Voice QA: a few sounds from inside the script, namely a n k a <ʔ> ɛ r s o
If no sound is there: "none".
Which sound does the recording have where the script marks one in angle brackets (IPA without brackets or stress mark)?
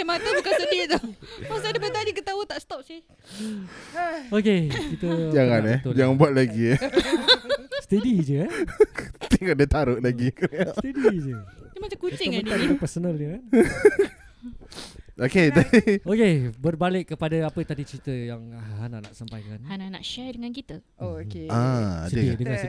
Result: p